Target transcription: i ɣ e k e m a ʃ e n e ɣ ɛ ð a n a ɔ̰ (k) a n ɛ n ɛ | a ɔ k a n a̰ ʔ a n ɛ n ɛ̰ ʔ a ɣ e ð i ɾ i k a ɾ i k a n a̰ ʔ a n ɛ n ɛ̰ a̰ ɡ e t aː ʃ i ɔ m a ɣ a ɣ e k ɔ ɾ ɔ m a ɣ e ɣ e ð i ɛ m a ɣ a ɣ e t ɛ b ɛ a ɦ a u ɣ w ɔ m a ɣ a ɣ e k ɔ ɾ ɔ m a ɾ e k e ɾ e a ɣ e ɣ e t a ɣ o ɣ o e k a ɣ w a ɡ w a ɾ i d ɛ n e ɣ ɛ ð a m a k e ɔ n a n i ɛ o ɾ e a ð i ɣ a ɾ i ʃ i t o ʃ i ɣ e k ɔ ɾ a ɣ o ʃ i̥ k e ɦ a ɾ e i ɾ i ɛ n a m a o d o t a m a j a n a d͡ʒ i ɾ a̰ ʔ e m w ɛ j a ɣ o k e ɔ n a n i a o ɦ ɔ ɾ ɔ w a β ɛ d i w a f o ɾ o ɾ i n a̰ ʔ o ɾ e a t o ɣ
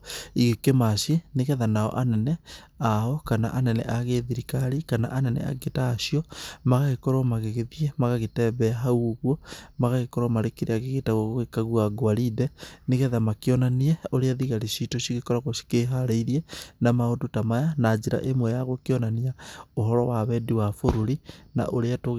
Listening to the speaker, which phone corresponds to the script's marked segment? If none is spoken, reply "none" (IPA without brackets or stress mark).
ʔ